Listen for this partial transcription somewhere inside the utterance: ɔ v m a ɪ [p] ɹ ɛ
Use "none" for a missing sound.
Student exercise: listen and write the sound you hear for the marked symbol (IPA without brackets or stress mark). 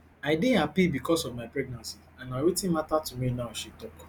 p